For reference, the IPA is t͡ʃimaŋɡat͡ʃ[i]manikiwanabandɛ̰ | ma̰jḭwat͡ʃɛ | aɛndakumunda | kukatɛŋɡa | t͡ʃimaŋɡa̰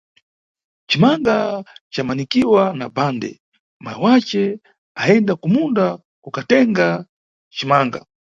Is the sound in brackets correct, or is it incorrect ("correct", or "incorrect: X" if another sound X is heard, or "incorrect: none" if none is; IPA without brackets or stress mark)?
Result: incorrect: a